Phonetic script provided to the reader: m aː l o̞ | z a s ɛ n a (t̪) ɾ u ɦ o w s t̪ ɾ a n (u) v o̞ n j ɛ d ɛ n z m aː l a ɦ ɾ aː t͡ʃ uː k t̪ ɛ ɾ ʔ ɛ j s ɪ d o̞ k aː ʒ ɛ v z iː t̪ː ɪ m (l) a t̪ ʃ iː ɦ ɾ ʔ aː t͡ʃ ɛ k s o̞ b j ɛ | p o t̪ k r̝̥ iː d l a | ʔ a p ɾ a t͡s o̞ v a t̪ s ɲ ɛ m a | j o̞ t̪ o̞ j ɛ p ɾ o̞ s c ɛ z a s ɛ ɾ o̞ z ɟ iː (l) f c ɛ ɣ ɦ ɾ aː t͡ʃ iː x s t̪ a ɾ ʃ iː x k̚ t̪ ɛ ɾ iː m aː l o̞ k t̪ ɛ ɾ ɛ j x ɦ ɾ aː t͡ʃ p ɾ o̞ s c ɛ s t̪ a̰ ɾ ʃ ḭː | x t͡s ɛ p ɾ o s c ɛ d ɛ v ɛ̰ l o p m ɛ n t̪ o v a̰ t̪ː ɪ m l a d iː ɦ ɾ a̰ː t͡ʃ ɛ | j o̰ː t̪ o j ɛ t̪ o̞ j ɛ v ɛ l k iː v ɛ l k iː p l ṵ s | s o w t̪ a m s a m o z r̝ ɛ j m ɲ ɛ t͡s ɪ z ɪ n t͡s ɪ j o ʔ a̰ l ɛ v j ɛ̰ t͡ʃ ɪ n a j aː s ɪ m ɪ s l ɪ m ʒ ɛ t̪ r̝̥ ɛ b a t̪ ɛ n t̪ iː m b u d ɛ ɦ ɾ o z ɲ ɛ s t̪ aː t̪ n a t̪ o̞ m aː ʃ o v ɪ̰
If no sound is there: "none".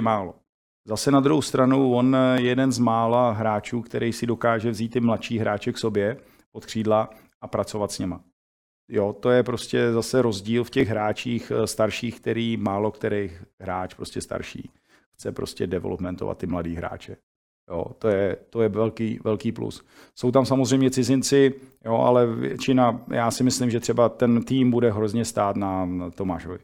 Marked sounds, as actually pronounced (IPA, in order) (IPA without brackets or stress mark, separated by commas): d̪, u, l, l